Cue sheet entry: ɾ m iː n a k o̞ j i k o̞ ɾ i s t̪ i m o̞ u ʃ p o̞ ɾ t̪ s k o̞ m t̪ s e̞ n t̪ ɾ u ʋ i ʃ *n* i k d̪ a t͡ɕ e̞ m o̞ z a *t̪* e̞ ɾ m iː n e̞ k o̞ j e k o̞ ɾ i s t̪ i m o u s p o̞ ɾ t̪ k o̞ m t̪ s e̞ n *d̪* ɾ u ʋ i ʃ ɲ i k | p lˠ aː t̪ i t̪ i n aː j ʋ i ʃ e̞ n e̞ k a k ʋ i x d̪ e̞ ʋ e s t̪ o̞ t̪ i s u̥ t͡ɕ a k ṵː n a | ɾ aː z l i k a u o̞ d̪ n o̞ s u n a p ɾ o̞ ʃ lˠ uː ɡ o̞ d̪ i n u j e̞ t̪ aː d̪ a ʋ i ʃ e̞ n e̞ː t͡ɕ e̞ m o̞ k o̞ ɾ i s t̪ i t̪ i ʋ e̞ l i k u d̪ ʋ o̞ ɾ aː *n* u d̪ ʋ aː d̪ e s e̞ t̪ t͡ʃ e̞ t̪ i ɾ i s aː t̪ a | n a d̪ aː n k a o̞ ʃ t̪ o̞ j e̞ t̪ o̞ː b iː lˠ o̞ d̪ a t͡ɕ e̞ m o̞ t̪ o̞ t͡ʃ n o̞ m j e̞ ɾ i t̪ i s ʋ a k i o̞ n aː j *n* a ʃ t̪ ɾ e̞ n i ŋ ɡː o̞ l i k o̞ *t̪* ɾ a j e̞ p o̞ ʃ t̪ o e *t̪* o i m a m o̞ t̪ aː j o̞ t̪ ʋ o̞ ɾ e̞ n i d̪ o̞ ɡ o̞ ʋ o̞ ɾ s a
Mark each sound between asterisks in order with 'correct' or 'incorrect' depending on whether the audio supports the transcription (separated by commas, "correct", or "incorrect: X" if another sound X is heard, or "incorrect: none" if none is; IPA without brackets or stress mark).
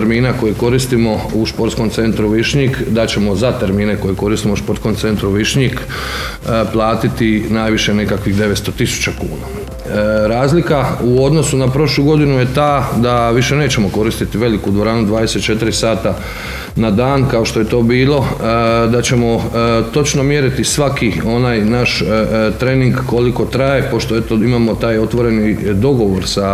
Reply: incorrect: ɲ, correct, incorrect: t̪, correct, correct, correct, correct